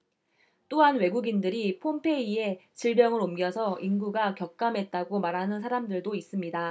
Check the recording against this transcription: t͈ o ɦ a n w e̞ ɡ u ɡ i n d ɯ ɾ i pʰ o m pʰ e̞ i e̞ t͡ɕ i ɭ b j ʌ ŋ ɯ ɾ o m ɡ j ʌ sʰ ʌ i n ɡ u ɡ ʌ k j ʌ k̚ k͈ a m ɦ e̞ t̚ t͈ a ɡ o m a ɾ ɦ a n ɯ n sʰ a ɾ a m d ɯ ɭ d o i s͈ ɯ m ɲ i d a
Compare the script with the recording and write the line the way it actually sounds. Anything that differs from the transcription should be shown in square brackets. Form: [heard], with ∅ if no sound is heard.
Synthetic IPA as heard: t͈ o ɦ a n w e̞ ɡ u ɡ i n d ɯ ɾ i pʰ o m pʰ e̞ i e̞ t͡ɕ i ɭ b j ʌ ŋ ɯ ɾ o m ɡ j ʌ sʰ ʌ i n ɡ u ɡ [a] k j ʌ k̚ k͈ a m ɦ e̞ t̚ t͈ a ɡ o m a ɾ ɦ a n ɯ n sʰ a ɾ a m d ɯ ɭ d o i s͈ ɯ m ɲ i d a